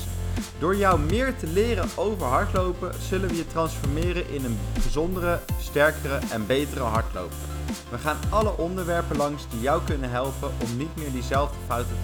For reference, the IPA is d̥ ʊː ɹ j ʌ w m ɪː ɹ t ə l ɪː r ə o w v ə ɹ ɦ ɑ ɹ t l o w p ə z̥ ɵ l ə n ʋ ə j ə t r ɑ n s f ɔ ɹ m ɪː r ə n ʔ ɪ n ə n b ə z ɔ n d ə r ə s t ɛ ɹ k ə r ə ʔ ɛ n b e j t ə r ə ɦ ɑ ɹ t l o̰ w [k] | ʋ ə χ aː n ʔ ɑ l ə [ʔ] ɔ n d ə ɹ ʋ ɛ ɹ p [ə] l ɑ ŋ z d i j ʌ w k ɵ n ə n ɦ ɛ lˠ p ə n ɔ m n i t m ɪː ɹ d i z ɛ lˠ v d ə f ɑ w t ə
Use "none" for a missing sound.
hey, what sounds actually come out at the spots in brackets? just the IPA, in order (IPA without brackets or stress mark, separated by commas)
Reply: p, ʔ, ə